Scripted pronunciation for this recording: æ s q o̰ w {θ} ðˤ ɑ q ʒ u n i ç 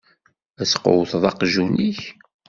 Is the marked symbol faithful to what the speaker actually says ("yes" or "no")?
yes